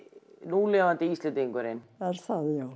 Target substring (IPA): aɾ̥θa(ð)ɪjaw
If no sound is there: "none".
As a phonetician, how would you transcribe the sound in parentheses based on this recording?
ð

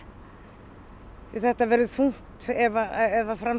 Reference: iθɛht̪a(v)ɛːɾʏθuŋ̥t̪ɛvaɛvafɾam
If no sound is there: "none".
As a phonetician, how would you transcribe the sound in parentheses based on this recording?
v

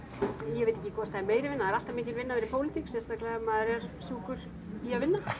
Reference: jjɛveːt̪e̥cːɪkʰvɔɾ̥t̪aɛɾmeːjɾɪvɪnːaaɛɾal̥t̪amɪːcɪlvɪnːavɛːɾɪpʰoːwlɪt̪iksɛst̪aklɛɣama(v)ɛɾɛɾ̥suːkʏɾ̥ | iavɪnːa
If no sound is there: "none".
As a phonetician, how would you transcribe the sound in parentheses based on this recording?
ð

